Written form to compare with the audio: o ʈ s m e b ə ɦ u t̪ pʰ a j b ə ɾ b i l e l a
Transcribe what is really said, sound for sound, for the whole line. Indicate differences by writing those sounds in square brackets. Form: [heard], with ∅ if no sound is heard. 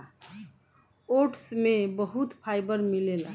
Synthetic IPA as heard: o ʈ s m e b ə ɦ u t̪ pʰ a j b ə ɾ [m] i l e l a